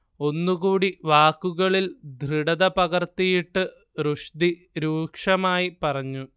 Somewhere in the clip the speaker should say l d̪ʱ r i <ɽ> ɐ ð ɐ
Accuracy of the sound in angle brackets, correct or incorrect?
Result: correct